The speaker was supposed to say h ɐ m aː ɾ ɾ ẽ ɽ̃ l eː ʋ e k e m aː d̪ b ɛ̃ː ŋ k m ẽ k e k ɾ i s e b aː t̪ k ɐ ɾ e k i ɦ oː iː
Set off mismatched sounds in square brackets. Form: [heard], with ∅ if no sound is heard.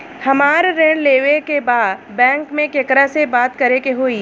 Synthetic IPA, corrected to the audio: h ɐ m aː ɾ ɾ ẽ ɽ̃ l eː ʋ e k e [b] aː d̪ b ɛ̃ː ŋ k m ẽ k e k ɾ [a] s e b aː t̪ k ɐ ɾ e k [e] ɦ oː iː

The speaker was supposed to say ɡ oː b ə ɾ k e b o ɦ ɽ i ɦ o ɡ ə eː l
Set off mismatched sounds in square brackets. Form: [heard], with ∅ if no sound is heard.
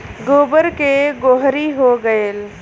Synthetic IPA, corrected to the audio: ɡ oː b ə ɾ k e [ɡ] o ɦ [ɾ] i ɦ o ɡ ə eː l

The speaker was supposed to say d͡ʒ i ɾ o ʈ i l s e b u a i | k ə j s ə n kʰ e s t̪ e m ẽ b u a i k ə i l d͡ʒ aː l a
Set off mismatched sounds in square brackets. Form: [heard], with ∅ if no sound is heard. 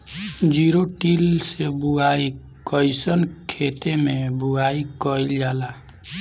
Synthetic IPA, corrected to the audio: d͡ʒ i ɾ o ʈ i l s e b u a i | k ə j s ə n kʰ e [∅] t̪ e m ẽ b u a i k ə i l d͡ʒ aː l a

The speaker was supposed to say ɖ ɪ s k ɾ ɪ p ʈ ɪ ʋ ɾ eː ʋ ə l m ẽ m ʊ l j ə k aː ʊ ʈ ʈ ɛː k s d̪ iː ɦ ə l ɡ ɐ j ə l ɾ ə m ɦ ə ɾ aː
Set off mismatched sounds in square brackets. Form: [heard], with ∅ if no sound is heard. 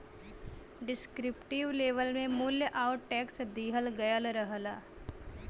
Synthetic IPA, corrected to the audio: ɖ ɪ s k ɾ ɪ p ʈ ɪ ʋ [l] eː ʋ ə l m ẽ m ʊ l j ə [ʔ] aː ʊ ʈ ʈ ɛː k s d̪ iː ɦ ə l ɡ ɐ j ə l ɾ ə [∅] ɦ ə [l] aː

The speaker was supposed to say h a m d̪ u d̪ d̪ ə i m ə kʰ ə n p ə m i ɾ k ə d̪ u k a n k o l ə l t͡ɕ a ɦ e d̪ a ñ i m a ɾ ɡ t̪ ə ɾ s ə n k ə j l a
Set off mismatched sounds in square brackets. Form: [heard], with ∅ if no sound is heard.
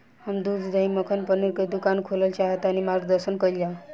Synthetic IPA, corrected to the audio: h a m d̪ u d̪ d̪ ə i m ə kʰ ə n p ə [n] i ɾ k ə d̪ u k a n [kʰ] o l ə l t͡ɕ a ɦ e [t̪] a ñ i m a ɾ ɡ [d̪] ə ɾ s ə n k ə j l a

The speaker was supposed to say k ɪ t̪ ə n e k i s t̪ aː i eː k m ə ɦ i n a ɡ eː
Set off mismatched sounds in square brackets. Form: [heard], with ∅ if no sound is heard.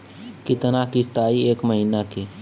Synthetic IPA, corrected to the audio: k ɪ t̪ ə n [a] k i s t̪ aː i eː k m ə ɦ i n a [k] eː

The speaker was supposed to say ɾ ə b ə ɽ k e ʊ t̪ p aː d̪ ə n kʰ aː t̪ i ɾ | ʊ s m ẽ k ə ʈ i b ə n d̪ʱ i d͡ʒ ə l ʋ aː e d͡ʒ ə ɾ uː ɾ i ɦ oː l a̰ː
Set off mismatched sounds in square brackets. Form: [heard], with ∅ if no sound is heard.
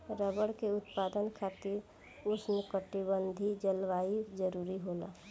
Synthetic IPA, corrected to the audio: ɾ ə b ə ɽ k e ʊ t̪ p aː d̪ ə n kʰ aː t̪ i ɾ | ʊ s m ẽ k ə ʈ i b ə n d̪ʱ i d͡ʒ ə l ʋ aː [i] d͡ʒ ə ɾ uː ɾ i ɦ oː l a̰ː

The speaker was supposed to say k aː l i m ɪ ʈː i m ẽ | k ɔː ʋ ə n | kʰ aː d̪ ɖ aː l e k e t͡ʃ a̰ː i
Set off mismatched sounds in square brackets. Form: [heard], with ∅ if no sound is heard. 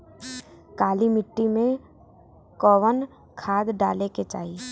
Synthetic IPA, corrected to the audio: k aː l i m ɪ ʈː i m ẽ | k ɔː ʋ ə n | kʰ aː d̪ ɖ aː l e k e t͡ʃ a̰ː i

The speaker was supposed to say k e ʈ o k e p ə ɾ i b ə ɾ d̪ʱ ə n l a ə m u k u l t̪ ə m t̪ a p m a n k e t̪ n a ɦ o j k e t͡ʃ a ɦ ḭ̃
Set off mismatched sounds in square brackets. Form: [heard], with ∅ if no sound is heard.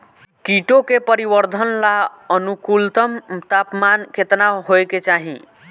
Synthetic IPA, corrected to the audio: k [i] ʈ o k e p ə ɾ i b ə ɾ d̪ʱ ə n l a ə [n] u k u l t̪ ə m t̪ a p m a n k e t̪ n a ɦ o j k e t͡ʃ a ɦ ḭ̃

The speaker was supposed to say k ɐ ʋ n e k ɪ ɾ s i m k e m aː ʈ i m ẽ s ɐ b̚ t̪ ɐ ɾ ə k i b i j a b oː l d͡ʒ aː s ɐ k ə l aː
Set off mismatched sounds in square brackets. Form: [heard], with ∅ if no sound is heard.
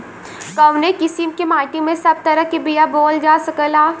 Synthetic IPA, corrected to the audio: k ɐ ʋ n e k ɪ [∅] s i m k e m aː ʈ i m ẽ s ɐ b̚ t̪ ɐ ɾ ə k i b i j a b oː l d͡ʒ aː s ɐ k ə l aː

